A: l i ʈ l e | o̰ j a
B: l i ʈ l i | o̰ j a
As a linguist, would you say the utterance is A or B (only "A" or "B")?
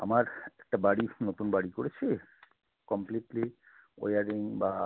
B